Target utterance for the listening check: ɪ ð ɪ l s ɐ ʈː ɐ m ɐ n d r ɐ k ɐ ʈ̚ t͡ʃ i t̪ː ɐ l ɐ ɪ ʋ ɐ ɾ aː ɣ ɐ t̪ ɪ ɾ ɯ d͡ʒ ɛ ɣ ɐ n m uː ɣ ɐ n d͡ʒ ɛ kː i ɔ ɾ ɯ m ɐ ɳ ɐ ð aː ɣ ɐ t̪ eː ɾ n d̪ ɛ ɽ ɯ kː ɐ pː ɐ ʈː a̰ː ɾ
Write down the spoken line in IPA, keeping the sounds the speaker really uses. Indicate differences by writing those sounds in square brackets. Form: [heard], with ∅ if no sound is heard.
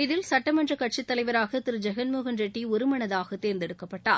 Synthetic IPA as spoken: ɪ ð ɪ l s ɐ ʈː ɐ m ɐ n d r ɐ k ɐ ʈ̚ t͡ʃ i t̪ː ɐ l ɐ ɪ ʋ ɐ ɾ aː ɣ ɐ t̪ ɪ ɾ ɯ d͡ʒ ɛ ɣ ɐ n m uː ɣ ɐ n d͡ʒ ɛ [ʈː] i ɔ ɾ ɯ m ɐ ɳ ɐ ð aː ɣ ɐ t̪ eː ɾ n d̪ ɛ ɽ ɯ kː ɐ pː ɐ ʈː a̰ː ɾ